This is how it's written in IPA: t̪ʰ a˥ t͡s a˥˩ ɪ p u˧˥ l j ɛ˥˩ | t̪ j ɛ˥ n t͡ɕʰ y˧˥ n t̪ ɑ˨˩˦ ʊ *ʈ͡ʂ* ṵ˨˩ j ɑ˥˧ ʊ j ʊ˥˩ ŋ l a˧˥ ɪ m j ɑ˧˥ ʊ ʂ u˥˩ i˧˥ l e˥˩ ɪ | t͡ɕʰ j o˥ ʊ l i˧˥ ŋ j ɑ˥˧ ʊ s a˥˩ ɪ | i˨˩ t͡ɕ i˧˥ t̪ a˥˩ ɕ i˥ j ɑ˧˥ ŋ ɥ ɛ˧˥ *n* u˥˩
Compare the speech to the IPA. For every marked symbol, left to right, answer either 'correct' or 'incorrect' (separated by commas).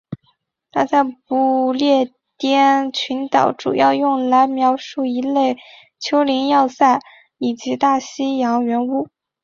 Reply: correct, correct